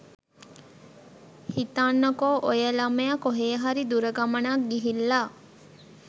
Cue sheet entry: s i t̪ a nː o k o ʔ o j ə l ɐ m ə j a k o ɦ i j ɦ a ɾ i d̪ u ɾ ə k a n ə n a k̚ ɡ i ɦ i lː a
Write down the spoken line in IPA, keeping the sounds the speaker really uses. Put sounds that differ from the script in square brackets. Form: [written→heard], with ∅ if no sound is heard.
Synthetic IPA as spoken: [s→h] i t̪ a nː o k o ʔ o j ə l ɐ m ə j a k o ɦ [i→e] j ɦ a ɾ i d̪ u ɾ ə [k→ɡ] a [n→m] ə n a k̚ ɡ i ɦ i lː a